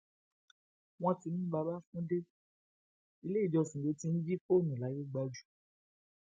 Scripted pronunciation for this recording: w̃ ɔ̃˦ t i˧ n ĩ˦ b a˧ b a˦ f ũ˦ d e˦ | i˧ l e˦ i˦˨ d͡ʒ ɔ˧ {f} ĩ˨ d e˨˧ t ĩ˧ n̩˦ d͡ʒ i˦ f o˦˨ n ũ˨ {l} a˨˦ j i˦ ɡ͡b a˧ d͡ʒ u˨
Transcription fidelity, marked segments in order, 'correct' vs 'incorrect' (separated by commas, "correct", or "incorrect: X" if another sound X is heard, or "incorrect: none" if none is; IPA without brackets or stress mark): incorrect: s, correct